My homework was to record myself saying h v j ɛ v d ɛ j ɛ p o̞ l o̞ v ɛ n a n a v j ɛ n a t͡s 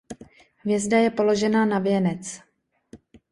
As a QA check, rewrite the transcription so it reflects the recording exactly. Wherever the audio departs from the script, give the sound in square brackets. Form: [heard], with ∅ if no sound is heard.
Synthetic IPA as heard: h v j ɛ [z] d [a] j ɛ p o̞ l o̞ [ʒ] ɛ n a n a v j ɛ n [ɛ] t͡s